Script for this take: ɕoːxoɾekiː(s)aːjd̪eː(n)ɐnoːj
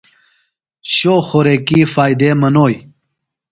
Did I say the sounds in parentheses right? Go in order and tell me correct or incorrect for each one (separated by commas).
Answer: incorrect, incorrect